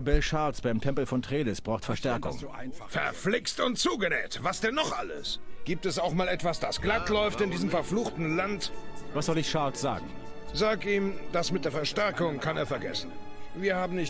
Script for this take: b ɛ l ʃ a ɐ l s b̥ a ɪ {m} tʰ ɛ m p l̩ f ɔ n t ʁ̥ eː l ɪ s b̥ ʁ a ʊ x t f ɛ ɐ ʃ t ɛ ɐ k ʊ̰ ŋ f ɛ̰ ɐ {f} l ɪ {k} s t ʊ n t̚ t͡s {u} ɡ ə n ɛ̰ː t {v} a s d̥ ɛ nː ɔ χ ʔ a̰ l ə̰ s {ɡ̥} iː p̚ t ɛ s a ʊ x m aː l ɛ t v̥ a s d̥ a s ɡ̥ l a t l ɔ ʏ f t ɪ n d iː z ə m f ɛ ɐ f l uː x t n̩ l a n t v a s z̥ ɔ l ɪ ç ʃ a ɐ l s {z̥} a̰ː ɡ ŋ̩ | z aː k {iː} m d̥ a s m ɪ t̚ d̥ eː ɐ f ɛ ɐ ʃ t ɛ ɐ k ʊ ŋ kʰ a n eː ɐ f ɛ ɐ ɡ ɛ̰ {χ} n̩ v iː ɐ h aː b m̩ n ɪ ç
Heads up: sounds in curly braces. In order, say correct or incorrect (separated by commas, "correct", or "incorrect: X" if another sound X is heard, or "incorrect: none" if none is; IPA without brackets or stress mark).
correct, correct, correct, incorrect: uː, correct, correct, correct, correct, incorrect: s